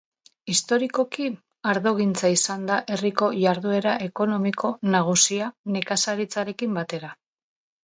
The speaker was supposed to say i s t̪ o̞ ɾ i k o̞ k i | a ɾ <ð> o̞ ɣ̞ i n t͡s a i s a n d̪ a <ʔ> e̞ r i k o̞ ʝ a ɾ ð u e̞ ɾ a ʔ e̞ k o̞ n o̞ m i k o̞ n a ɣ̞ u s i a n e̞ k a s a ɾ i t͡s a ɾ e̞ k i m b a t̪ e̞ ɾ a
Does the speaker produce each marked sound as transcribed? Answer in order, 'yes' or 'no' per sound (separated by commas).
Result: yes, yes